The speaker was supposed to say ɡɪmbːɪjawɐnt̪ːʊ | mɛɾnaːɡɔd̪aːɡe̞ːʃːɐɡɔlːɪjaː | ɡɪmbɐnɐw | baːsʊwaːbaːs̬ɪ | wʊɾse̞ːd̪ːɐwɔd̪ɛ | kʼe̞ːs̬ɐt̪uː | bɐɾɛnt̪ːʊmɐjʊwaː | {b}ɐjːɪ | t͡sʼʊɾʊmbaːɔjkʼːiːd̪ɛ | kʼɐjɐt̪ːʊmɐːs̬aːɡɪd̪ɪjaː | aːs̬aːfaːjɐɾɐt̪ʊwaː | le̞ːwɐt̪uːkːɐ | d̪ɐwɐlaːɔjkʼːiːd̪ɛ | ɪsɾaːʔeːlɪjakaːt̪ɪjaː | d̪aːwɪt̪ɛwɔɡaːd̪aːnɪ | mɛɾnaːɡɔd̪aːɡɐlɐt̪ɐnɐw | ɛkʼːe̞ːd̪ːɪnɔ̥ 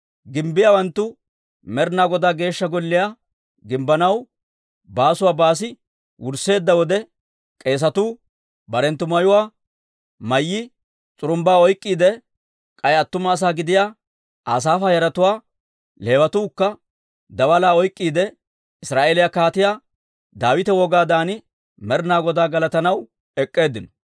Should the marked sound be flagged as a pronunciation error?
yes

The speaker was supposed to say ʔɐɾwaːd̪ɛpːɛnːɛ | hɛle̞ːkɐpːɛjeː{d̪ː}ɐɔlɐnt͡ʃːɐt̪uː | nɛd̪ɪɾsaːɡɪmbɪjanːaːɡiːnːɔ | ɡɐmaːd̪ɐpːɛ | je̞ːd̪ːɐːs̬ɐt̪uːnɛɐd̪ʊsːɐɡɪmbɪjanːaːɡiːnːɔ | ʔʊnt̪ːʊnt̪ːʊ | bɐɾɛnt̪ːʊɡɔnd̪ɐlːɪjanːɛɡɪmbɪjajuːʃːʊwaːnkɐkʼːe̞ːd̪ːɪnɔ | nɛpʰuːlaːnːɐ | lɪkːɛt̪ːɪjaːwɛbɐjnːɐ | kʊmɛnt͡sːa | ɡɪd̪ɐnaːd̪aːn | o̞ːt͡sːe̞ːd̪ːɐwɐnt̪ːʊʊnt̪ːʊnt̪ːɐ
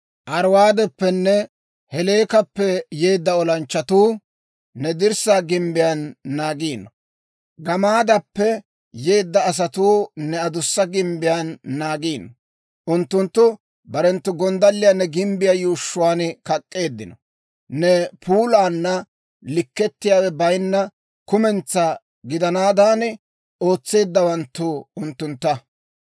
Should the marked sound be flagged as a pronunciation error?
no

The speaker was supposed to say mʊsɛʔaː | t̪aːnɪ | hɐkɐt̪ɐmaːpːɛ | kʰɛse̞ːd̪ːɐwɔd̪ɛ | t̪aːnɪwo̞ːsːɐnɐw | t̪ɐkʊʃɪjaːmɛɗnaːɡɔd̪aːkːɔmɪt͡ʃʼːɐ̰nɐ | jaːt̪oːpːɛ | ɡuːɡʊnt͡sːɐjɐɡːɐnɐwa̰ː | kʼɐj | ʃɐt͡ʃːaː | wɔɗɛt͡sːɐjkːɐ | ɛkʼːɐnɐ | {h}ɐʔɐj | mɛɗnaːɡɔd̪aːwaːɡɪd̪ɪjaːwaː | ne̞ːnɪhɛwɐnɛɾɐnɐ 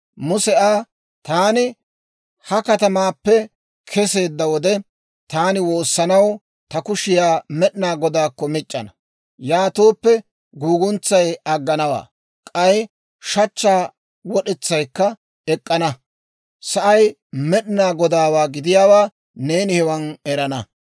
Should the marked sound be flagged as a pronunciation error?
yes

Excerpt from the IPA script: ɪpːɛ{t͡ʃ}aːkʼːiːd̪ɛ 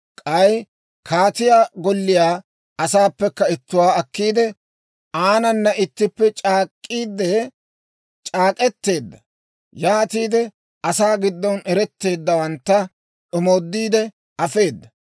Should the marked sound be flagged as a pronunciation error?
yes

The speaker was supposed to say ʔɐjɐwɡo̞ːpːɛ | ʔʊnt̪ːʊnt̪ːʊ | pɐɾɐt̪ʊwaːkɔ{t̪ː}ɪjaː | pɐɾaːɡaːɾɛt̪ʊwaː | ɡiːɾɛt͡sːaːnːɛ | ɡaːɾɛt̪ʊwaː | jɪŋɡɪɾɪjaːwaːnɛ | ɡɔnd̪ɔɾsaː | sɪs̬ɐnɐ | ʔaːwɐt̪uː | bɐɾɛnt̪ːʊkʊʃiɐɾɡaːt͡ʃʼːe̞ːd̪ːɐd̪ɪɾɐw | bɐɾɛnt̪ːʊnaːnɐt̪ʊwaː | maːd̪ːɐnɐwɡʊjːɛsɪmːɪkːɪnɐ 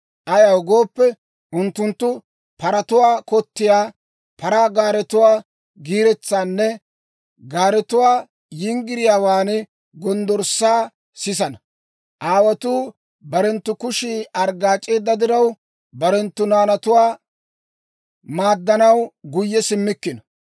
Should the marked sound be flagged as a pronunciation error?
no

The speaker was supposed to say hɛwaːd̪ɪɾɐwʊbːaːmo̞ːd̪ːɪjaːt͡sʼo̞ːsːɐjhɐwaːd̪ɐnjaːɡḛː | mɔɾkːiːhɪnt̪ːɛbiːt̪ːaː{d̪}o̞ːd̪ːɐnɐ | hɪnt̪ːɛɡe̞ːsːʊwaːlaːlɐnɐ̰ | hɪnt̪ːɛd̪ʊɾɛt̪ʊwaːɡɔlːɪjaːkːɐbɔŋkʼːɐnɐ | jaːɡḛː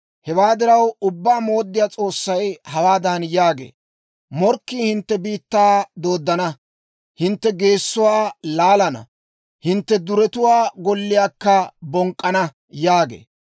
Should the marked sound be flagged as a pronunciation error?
no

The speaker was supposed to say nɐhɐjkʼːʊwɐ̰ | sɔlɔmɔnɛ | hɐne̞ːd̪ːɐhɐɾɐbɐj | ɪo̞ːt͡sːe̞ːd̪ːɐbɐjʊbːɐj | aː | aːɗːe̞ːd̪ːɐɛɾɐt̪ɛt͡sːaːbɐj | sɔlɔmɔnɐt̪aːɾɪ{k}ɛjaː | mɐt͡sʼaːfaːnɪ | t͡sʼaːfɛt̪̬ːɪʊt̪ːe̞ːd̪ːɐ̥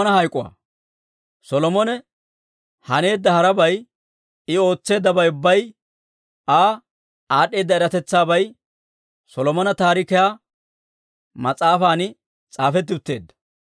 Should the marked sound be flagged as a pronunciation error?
no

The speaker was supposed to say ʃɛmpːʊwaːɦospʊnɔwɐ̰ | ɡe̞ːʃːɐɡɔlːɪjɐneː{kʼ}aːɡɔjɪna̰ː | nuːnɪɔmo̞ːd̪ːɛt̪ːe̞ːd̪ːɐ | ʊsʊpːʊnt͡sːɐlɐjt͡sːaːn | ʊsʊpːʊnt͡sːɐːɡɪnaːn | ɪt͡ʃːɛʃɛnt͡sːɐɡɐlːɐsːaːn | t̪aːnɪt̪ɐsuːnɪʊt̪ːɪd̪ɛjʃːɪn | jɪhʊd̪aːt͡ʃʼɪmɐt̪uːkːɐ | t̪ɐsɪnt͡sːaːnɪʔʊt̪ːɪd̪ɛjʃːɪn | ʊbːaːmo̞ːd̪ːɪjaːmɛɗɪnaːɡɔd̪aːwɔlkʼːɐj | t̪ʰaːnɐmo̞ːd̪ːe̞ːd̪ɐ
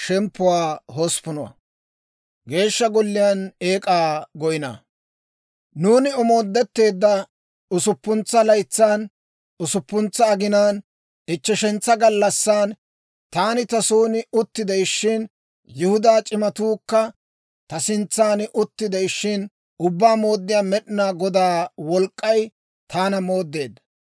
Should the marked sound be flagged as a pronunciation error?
no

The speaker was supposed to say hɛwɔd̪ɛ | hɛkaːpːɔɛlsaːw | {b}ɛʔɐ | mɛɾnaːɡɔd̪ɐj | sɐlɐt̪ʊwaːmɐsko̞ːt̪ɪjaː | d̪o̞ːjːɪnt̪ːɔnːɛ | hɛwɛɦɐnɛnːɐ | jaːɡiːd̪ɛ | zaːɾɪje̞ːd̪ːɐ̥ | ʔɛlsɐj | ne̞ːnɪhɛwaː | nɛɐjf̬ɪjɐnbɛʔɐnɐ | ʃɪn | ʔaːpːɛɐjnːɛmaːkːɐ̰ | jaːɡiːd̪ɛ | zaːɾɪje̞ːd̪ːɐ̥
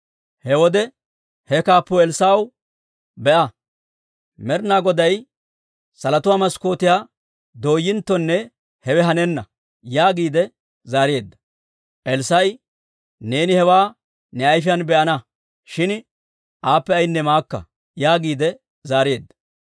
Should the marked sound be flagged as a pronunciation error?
no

